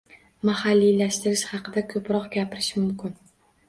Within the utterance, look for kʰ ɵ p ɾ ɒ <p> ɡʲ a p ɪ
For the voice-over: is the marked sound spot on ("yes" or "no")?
no